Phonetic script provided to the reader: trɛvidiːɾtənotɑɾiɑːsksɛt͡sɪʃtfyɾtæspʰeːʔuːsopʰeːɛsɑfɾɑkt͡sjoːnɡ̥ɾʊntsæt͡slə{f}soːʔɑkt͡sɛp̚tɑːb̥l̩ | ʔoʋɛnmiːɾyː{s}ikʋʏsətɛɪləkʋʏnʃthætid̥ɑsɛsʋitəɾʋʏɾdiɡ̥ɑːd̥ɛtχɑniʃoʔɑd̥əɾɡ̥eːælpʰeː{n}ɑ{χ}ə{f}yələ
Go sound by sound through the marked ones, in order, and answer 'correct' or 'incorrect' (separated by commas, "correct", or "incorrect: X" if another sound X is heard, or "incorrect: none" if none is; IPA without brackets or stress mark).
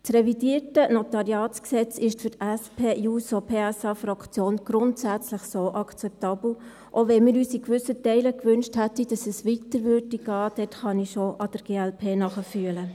incorrect: χ, correct, correct, correct, correct